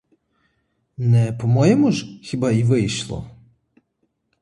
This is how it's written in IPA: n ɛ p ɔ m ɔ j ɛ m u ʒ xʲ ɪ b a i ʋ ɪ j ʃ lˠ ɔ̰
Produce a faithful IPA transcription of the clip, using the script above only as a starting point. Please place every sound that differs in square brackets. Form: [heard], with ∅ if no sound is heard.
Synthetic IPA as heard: n ɛ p ɔ m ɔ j ɛ m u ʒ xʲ [i] b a i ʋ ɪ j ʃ lˠ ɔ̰